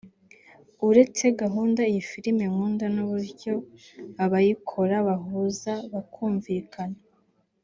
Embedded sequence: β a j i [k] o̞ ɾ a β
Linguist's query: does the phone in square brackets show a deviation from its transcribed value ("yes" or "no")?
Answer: yes